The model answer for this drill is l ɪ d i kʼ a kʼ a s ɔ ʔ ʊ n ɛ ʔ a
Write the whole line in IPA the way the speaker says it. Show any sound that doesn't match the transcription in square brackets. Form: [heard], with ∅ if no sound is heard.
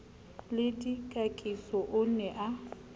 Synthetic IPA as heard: l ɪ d i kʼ a kʼ [i] s ɔ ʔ ʊ n ɛ ʔ a

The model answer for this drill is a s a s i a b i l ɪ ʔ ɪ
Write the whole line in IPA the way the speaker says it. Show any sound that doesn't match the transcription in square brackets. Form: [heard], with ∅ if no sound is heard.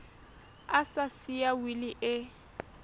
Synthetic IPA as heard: a s a s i a [w] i l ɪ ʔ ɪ

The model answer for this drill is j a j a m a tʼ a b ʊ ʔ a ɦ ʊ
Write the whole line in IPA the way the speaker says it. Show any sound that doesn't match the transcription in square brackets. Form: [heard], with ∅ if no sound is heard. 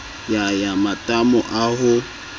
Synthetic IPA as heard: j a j a m a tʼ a [m] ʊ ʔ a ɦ ʊ

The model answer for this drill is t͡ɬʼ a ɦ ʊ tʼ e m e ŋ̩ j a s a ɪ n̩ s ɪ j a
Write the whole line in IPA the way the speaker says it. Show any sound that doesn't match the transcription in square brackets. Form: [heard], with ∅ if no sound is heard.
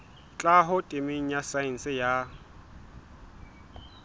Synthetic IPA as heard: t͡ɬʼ a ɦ ʊ tʼ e m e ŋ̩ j a s a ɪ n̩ s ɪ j a

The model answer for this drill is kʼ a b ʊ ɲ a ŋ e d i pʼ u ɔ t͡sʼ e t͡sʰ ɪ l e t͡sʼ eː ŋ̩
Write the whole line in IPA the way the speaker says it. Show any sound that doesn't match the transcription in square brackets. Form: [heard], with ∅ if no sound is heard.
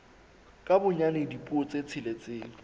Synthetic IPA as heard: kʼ a b ʊ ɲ a [n] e d i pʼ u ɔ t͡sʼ e t͡sʰ ɪ l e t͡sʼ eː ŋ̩

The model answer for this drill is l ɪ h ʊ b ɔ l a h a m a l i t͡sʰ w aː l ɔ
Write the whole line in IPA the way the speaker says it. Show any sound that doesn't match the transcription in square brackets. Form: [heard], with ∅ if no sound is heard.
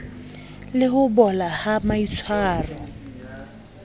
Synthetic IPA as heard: l ɪ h ʊ b ɔ l a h a m a [∅] i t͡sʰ w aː [r] ɔ

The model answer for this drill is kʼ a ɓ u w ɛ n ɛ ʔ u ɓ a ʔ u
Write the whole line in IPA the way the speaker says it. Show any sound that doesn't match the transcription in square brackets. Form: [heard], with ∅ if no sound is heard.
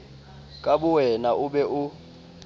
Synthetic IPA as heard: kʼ a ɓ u w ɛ n [a] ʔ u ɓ [ɛ] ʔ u

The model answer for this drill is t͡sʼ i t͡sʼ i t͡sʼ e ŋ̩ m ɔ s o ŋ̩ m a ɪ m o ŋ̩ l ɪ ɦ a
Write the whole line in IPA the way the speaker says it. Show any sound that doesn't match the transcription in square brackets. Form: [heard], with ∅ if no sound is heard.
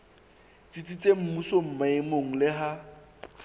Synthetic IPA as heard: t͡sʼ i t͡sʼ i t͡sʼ e [m̩] m [u] s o [m̩] m a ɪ m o ŋ̩ l ɪ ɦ a

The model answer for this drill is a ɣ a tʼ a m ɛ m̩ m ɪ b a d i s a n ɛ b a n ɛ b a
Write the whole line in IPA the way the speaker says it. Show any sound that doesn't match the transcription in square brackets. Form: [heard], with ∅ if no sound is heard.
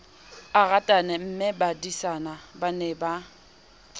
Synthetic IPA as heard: a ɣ a tʼ a [n] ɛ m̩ m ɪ b a d i s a n [a] b a n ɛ b a

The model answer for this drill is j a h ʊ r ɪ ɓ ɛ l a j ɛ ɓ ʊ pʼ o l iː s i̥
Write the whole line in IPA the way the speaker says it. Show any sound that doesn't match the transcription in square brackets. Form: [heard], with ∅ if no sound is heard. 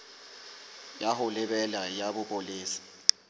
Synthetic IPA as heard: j a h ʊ [l] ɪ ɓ ɛ l a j [a] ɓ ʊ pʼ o l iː s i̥

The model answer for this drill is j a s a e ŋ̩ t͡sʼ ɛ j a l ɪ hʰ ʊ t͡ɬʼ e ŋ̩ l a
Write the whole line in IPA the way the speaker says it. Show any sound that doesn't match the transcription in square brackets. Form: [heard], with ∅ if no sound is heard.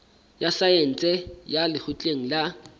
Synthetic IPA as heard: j a s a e [n̩] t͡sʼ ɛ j a l ɪ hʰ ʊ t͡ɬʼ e ŋ̩ l a

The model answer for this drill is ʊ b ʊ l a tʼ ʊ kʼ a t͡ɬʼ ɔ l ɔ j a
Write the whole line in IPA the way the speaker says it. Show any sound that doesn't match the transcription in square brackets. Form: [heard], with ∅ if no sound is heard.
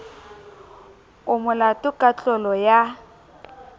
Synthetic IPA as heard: ʊ [m] ʊ l a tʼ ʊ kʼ a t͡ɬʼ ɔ l ɔ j a

